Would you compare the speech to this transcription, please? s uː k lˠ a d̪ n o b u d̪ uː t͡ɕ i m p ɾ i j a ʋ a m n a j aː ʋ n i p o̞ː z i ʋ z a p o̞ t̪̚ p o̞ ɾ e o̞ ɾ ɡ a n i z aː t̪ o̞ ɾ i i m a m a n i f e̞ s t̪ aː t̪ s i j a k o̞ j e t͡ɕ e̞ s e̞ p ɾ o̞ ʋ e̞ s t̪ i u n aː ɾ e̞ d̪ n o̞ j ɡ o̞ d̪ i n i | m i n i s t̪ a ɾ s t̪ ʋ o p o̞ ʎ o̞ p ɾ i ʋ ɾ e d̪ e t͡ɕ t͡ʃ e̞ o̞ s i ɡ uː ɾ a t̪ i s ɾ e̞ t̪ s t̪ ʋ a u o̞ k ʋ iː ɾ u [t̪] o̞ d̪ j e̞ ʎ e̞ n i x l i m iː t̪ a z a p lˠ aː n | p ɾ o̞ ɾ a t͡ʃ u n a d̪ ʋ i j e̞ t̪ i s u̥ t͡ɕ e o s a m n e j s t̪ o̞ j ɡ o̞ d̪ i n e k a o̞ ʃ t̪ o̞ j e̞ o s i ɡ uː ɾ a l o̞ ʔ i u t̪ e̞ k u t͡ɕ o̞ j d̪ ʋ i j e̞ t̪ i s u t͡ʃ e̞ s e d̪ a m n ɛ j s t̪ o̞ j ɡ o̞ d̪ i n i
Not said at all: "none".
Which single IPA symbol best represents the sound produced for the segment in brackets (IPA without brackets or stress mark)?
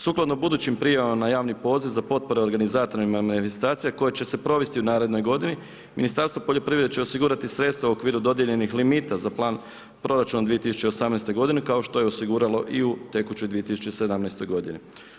d̪